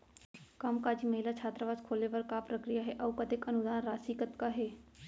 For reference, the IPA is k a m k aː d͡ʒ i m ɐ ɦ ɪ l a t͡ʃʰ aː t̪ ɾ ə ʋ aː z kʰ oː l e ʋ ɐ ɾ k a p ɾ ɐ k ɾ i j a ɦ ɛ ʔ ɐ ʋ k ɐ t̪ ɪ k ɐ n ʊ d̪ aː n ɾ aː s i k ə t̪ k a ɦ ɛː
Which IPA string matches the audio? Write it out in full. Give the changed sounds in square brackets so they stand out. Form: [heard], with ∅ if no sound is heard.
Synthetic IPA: k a m k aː d͡ʒ i m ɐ ɦ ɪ l a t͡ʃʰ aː t̪ ɾ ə ʋ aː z kʰ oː l e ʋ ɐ ɾ k a p ɾ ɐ k ɾ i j a ɦ ɛ ʔ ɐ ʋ k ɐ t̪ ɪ k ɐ n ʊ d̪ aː n ɾ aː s i k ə t̪ k a ɦ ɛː

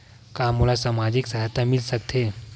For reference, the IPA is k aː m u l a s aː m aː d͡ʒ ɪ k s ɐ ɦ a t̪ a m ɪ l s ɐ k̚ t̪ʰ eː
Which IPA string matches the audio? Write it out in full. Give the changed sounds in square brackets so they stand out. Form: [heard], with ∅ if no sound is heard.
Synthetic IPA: k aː m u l a s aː m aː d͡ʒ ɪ k s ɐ ɦ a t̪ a m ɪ l s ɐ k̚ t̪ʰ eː

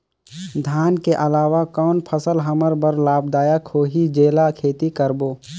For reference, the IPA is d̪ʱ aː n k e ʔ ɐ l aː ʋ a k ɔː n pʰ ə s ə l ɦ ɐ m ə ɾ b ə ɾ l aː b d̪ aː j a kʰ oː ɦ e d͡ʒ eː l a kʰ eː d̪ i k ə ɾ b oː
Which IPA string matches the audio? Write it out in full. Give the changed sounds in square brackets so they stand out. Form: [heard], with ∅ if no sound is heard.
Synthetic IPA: d̪ʱ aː n k e ʔ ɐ l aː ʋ a k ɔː n pʰ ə s ə l ɦ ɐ m ə ɾ b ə ɾ l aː b d̪ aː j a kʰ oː ɦ [i] d͡ʒ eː l a kʰ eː [t̪] i k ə ɾ b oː

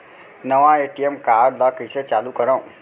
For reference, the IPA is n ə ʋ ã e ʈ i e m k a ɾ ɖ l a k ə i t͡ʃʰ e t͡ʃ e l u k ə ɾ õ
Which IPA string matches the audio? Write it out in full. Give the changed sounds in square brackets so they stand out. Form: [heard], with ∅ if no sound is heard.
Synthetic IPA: n ə ʋ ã e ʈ i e m k a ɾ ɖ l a k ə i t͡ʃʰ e t͡ʃ [a] l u k ə ɾ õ

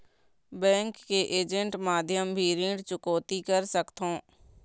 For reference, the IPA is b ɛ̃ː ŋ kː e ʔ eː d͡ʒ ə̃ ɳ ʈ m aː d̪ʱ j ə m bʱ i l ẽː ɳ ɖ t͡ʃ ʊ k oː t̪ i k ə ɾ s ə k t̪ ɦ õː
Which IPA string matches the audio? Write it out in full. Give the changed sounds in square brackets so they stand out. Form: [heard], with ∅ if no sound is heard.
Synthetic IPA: b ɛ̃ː ŋ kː e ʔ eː d͡ʒ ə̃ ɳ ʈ m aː d̪ʱ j ə m bʱ i [ɾ] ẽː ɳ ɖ t͡ʃ ʊ k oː t̪ i k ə ɾ s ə k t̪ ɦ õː

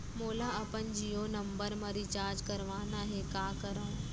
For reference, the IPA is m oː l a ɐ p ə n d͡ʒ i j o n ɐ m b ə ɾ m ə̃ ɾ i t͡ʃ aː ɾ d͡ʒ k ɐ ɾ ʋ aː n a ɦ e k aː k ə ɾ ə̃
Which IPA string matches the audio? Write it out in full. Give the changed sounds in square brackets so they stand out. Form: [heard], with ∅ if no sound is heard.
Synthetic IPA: m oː l a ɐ p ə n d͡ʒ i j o n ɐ m b ə ɾ m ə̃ ɾ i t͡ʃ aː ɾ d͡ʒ k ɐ ɾ ʋ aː n a ɦ e k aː k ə ɾ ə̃

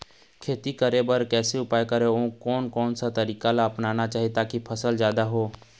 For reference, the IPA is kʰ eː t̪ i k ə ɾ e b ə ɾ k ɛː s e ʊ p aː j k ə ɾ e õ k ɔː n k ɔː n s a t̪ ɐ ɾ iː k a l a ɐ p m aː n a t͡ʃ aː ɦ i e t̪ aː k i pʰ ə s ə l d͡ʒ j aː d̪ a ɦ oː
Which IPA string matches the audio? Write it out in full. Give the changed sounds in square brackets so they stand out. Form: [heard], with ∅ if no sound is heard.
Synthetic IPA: kʰ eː t̪ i k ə ɾ e b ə ɾ k ɛː s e ʊ p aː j k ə ɾ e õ k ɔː n k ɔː n s a t̪ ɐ ɾ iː k a l a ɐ p [n] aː n a t͡ʃ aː ɦ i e t̪ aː k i pʰ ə s ə l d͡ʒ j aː d̪ a ɦ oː

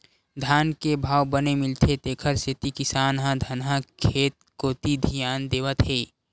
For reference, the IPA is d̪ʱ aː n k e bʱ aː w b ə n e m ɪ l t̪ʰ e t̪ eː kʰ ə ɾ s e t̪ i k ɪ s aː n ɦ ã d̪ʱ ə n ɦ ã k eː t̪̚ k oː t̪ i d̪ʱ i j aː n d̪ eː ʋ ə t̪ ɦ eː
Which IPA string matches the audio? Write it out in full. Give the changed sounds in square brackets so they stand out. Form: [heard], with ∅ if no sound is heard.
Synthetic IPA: d̪ʱ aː n k e bʱ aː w b ə n e m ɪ l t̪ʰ e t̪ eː kʰ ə ɾ s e t̪ i k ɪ s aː n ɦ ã d̪ʱ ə n ɦ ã [kʰ] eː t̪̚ k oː t̪ i d̪ʱ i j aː n d̪ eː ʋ ə t̪ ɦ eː

